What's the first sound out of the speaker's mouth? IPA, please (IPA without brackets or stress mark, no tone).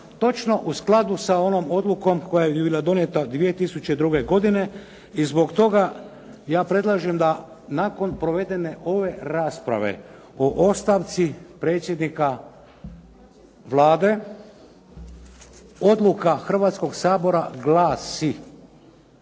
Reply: t̪